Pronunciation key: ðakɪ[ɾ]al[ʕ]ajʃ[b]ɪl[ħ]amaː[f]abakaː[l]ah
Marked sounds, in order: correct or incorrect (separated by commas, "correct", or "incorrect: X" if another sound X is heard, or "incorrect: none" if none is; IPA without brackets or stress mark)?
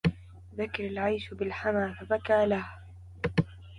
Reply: correct, correct, correct, correct, correct, correct